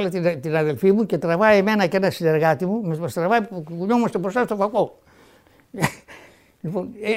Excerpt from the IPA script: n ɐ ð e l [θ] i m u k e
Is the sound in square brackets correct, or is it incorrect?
incorrect